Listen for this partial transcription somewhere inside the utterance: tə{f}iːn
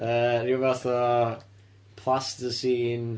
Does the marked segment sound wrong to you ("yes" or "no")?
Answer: yes